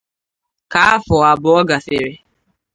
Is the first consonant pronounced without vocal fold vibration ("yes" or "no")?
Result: yes